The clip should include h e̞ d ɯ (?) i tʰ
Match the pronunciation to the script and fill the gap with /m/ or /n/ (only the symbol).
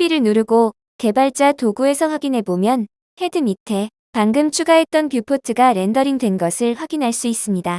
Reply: m